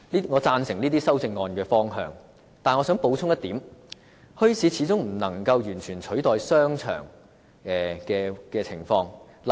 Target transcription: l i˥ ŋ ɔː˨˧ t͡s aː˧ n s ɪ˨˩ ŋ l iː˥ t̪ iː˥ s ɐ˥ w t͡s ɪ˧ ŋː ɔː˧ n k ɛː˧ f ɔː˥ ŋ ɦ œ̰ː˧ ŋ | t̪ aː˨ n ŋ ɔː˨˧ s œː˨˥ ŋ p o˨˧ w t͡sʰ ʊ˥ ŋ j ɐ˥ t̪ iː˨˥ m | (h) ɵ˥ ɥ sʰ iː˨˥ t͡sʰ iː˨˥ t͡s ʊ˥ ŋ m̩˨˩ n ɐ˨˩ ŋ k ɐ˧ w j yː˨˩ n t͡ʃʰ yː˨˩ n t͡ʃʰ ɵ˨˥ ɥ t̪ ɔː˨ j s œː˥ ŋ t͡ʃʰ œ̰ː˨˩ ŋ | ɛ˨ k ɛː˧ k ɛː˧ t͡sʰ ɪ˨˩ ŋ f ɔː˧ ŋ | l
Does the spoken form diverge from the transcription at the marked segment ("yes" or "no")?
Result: no